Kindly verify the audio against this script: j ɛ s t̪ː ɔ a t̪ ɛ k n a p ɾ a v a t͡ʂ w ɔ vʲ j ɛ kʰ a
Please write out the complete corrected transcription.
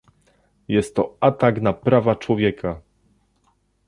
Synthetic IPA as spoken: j ɛ s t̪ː ɔ a t̪ a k n a p ɾ a v a t͡ʂ w ɔ vʲ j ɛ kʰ a